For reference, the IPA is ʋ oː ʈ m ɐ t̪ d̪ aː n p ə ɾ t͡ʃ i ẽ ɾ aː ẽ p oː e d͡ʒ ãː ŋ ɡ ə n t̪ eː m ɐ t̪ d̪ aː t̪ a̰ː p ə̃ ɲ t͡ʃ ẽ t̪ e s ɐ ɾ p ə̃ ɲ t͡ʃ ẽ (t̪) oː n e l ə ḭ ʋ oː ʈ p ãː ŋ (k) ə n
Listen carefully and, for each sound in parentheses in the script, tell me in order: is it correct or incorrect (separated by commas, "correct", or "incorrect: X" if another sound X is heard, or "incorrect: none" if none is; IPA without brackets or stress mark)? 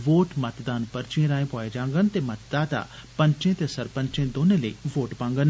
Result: incorrect: d̪, incorrect: ɡ